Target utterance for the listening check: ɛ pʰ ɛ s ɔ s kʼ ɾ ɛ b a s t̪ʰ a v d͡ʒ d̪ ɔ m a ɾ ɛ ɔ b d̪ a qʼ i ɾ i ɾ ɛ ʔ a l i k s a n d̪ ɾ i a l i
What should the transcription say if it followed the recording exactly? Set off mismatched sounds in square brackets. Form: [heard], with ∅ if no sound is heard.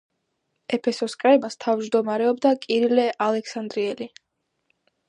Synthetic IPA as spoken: ɛ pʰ ɛ s ɔ s kʼ ɾ ɛ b a s t̪ʰ a v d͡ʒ d̪ ɔ m a ɾ ɛ ɔ b d̪ a [kʼ] i ɾ i [l] ɛ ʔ a l [ɛ] k s a n d̪ ɾ i [ɛ] l i